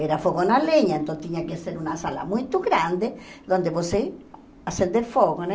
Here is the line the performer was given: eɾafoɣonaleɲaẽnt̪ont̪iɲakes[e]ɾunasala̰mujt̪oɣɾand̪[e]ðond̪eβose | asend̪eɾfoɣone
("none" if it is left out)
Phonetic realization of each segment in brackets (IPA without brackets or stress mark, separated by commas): e, e